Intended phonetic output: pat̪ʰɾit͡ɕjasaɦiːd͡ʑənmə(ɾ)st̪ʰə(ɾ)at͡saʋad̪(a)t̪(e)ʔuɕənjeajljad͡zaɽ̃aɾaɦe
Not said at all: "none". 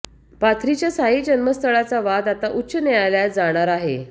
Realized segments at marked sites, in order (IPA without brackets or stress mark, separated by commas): none, ɭ, a, a